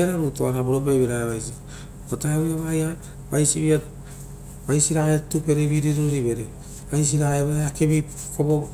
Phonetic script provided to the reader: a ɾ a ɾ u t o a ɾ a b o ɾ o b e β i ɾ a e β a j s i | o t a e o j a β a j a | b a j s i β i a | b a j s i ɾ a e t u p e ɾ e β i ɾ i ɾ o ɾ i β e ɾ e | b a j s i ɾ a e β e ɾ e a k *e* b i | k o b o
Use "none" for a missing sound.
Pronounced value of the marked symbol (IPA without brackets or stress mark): e